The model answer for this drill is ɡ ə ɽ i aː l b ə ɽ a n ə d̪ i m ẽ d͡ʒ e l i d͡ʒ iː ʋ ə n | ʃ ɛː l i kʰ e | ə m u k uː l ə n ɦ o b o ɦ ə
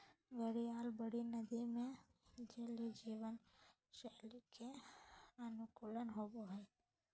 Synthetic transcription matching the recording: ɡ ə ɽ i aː l b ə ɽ i n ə d̪ i m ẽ d͡ʒ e l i d͡ʒ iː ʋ ə n | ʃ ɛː l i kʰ e | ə n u k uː l ə n ɦ o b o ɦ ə